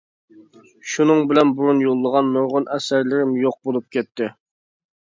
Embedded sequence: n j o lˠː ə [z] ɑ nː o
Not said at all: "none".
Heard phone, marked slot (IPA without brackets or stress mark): ʁ